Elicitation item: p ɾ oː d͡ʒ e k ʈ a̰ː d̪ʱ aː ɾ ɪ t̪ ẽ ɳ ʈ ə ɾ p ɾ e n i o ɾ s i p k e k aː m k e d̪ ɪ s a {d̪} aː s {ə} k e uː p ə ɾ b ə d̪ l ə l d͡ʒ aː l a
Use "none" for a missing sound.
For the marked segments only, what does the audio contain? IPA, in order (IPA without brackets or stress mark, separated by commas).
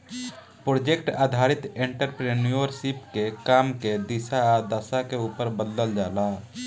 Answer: d̪, a